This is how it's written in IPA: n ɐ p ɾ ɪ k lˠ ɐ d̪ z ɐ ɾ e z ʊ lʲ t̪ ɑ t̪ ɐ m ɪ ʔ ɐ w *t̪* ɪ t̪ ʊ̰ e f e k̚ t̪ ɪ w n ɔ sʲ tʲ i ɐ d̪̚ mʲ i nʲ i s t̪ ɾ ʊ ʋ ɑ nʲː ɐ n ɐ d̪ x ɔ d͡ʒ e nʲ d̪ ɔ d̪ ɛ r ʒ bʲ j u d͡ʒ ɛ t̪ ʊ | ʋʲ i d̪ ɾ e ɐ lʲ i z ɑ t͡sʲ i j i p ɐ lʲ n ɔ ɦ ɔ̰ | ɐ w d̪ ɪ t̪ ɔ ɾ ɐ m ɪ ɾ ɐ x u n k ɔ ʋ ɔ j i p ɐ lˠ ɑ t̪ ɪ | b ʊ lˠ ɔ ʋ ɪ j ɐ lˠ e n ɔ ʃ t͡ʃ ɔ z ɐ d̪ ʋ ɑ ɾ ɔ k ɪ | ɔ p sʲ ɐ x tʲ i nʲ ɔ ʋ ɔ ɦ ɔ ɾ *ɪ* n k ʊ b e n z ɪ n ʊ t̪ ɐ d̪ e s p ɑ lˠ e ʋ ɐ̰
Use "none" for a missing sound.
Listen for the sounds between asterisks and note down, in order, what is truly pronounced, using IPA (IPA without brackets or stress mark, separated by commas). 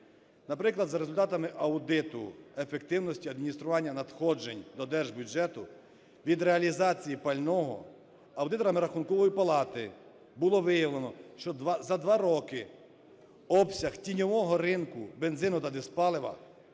d̪, ɪ